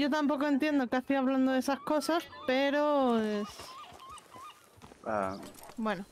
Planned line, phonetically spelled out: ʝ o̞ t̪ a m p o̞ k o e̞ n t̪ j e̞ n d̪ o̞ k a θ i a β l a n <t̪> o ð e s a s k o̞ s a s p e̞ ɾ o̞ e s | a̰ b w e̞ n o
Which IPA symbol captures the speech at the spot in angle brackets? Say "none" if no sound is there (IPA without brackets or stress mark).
d̪